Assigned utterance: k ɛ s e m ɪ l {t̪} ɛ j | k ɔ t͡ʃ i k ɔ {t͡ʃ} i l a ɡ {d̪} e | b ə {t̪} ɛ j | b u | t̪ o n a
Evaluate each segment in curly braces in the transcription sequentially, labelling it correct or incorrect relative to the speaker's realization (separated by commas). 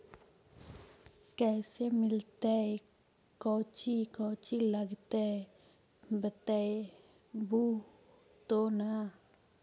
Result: correct, correct, incorrect, correct